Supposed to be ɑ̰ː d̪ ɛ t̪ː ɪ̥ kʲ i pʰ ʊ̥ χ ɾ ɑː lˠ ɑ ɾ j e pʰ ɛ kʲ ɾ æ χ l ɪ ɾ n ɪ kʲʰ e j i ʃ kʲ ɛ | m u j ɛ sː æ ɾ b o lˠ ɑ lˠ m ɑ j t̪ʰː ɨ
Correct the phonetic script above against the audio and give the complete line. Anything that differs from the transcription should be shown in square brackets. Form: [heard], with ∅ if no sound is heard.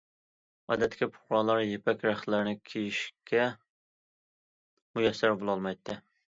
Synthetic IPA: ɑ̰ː d̪ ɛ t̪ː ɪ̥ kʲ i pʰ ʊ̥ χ ɾ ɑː lˠ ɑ ɾ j e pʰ ɛ kʲ ɾ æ χ l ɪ ɾ n ɪ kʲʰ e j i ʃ kʲ ɛ | m u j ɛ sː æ ɾ b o lˠ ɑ lˠ m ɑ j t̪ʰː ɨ